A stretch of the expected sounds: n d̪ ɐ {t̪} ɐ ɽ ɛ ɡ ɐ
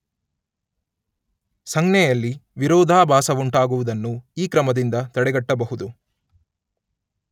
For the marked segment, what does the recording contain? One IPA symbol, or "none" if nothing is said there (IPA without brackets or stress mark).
t̪